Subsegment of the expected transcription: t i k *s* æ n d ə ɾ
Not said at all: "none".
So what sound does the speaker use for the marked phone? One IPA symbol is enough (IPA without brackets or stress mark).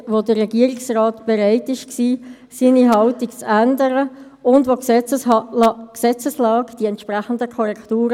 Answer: t͡s